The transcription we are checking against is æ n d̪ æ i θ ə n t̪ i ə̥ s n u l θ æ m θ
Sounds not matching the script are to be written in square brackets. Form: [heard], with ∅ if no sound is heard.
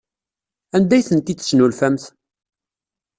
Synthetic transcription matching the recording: æ n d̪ æ [j] θ ə n t̪ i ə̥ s n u l [f] æ m θ